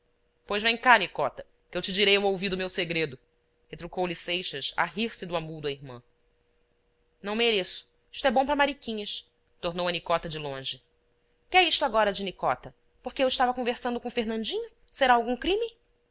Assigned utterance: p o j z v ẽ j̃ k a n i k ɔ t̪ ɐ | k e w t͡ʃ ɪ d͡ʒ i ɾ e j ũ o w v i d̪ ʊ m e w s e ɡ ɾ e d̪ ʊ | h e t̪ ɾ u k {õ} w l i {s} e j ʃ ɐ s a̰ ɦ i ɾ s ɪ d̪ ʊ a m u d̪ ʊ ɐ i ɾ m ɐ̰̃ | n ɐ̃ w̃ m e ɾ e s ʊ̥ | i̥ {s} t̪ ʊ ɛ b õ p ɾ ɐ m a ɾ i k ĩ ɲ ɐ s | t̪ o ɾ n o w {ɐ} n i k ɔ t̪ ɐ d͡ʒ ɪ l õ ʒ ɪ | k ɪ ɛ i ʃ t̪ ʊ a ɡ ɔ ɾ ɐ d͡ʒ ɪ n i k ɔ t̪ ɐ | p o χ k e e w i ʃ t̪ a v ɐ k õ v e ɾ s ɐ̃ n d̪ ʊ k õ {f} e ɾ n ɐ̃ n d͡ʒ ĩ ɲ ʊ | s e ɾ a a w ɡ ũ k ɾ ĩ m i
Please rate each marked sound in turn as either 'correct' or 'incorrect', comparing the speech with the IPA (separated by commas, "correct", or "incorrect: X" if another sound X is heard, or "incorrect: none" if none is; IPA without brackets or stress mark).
incorrect: o, correct, incorrect: ʃ, correct, correct